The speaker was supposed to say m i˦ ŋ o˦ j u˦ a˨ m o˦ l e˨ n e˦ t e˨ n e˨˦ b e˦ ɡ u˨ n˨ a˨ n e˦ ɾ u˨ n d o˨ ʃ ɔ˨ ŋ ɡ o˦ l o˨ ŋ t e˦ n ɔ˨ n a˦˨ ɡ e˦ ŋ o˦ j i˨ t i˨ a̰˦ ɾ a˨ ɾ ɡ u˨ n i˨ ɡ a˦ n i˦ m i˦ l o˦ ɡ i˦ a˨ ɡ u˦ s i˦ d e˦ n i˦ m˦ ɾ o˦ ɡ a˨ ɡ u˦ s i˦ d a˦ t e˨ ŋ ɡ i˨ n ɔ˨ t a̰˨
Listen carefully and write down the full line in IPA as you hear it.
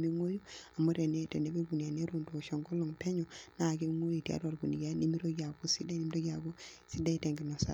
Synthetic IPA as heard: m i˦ ŋ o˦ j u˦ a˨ m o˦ ɾ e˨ n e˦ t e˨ n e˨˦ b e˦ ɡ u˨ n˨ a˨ n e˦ ɾ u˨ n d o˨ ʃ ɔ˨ ŋ ɡ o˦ l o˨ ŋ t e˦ ɲ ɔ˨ n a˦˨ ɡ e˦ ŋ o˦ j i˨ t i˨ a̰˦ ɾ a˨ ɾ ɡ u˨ n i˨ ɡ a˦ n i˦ m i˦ ɾ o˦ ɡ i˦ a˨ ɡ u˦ s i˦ d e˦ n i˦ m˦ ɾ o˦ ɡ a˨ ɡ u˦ s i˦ d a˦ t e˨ ŋ ɡ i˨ n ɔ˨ s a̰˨